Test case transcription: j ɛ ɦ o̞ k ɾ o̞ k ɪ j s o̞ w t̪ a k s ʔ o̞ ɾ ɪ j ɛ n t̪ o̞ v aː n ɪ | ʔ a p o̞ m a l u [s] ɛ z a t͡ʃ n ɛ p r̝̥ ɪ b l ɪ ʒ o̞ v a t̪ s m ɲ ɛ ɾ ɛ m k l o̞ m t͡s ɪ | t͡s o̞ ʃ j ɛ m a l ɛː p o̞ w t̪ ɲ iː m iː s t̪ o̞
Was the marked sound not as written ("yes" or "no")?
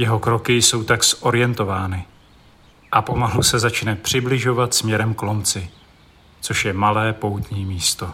no